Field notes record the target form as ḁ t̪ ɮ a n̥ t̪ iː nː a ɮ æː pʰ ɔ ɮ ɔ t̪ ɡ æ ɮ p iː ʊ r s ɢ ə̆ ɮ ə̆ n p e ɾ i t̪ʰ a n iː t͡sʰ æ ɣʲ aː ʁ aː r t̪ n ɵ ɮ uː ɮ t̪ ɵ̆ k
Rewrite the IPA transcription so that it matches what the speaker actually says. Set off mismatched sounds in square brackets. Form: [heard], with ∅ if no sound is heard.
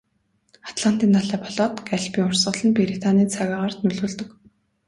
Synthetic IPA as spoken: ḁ t̪ ɮ a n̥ t̪ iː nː a ɮ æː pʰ ɔ ɮ ɔ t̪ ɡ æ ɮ p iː ʊ r s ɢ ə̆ ɮ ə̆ n p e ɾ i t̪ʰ a n iː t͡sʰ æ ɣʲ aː ʁ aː r t̪ n ɵ ɮ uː ɮ t̪ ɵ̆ k